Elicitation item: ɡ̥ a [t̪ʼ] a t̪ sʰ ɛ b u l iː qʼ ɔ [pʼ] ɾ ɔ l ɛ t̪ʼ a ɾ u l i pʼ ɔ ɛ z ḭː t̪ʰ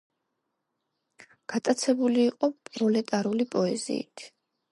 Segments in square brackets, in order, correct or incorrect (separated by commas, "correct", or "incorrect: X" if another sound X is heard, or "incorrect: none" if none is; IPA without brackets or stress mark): correct, correct